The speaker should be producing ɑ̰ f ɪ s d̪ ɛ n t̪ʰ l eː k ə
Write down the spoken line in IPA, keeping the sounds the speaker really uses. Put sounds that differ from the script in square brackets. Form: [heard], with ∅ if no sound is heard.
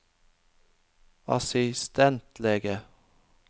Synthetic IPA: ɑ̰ [s] ɪ s [t̪] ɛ n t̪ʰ l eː [ɡ] ə